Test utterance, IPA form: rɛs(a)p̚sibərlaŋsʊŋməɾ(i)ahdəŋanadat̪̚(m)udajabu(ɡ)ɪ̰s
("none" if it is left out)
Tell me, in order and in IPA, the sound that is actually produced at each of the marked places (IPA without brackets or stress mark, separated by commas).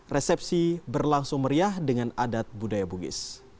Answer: ɛ, i, b, ɡ